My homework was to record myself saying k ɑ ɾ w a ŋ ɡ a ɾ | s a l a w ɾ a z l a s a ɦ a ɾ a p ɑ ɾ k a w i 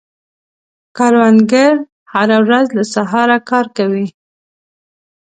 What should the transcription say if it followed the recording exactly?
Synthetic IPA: k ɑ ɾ w a n ɡ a ɾ | h a ɾ a w ɾ a z l a s a ɦ ɑ ɾ a k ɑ ɾ k a w i